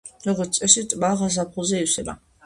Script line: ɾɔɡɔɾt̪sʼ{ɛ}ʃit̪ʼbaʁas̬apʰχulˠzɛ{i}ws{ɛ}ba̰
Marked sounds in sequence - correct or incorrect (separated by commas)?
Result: correct, correct, correct